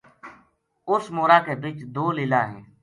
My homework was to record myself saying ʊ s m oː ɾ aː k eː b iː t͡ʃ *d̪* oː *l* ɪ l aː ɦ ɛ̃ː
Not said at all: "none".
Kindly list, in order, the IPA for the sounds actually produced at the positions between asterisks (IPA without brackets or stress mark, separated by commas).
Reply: d̪, l